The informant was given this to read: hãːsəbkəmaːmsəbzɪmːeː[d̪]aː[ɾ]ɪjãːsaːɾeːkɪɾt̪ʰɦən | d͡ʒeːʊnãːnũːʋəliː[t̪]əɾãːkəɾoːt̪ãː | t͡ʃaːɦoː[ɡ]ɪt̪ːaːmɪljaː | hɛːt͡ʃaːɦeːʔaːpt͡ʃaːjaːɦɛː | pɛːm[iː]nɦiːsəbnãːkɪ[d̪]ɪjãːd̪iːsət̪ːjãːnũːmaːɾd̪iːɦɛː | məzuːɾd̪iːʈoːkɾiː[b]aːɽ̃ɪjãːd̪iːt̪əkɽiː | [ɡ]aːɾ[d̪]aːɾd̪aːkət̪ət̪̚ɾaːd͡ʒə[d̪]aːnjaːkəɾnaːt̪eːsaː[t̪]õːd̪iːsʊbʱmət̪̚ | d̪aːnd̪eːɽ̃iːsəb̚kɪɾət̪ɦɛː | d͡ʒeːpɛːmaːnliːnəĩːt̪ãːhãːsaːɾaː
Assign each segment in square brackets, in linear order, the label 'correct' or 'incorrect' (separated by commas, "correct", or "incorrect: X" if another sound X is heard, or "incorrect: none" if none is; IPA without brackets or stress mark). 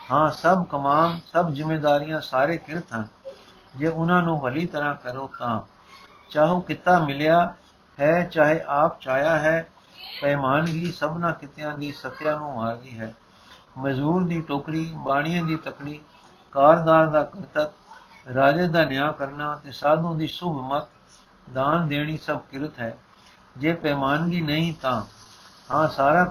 correct, correct, correct, incorrect: k, incorrect: aː, incorrect: t̪, correct, incorrect: k, correct, correct, incorrect: d̪